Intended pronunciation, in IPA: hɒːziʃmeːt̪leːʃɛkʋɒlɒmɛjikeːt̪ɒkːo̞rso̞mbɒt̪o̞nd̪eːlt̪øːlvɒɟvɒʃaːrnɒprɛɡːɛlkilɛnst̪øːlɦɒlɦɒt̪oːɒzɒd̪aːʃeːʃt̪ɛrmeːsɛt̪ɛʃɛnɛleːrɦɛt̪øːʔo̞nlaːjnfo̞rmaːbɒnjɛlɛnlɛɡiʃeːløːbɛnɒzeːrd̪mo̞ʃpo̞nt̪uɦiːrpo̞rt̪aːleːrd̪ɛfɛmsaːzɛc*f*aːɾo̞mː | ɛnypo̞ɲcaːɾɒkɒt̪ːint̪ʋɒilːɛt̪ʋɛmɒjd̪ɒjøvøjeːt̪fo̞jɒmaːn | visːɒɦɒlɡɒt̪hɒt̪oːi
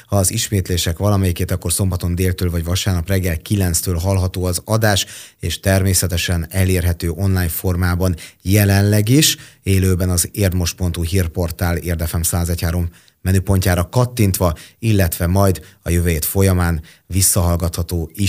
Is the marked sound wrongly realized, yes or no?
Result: yes